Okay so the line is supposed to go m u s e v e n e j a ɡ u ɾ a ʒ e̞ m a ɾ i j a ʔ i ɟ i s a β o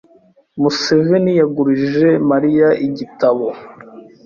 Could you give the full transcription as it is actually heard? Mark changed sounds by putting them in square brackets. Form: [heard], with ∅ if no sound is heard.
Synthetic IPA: m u s e v e n [i] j a ɡ u ɾ [i] ʒ e̞ m a ɾ i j a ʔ i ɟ i [t] a β o

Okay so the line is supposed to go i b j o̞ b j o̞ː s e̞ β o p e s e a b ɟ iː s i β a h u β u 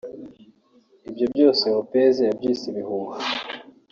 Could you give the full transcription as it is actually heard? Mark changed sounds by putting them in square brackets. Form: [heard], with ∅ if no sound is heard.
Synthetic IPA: i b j o̞ b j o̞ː s e̞ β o p e [z] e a b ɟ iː s i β [i] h u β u

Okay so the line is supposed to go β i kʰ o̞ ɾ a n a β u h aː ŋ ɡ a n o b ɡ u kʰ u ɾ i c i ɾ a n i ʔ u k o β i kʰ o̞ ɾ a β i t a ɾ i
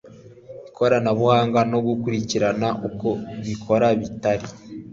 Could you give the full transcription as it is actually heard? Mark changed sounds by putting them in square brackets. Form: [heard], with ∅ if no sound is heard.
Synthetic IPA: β i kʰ o̞ ɾ a n a β u h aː ŋ ɡ a n o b ɡ u [k] u ɾ i c i ɾ a n [a] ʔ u k o β i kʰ o̞ ɾ a β i t a ɾ i

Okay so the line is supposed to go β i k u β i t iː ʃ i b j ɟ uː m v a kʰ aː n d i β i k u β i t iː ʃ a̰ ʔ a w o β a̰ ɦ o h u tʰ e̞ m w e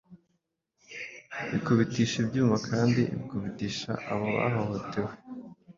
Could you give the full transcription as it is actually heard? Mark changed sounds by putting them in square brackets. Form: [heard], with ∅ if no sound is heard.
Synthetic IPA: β i k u β i t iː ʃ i b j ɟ uː m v a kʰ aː n d i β i k u β i t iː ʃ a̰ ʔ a [β] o β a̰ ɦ o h [o] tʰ e̞ [∅] w e

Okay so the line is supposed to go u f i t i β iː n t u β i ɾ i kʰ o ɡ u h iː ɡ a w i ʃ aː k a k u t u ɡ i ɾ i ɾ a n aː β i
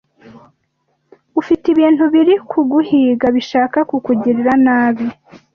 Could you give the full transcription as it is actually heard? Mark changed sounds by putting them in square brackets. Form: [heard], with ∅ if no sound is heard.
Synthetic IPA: u f i t i β iː n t u β i ɾ i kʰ [u] ɡ u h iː ɡ a [β] i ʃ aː k a k u [k] u [ɟ] i ɾ i ɾ a n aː β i

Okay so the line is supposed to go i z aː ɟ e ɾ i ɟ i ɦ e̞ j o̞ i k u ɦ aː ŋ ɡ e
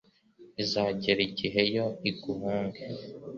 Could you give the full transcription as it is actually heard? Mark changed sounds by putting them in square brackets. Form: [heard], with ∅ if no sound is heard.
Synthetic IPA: i z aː ɟ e ɾ i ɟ i ɦ e̞ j o̞ i [ɡ] u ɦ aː ŋ ɡ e

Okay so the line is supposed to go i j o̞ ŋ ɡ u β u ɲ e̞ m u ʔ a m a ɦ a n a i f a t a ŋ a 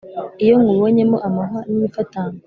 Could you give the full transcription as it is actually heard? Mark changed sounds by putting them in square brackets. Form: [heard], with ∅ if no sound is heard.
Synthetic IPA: i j o̞ ŋ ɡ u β [o] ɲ e̞ m [o] ʔ a m a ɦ a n [i] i f a t a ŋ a

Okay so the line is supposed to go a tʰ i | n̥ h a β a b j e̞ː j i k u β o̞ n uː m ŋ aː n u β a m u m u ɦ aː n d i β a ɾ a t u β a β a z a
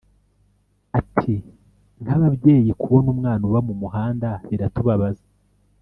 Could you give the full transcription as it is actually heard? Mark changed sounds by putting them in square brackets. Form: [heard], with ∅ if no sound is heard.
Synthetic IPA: a tʰ i | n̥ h a β a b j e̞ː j i k u β o̞ n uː m ŋ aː n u β a m u m u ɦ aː n d [a] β [i] ɾ a t u β a β a z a

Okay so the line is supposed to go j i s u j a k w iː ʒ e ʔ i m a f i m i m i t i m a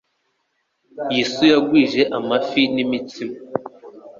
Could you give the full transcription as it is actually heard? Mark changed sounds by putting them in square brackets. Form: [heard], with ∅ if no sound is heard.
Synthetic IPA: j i s u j a [ɡ] w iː ʒ e ʔ [a] m a f i [n] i m i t i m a

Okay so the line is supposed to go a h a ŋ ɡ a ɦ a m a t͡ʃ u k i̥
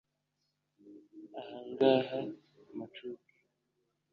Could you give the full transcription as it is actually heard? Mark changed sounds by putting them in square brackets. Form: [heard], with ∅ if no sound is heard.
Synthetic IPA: a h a ŋ ɡ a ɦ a m a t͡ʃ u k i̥

